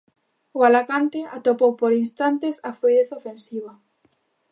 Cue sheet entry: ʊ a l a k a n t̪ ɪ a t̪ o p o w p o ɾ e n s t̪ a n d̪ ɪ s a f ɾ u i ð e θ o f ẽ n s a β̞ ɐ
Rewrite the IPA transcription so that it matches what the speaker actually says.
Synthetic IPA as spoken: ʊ a l a k a n t̪ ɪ a t̪ o p o w p o ɾ i n s t̪ a n t̪ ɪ s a f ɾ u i ð e θ o f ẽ n s i β̞ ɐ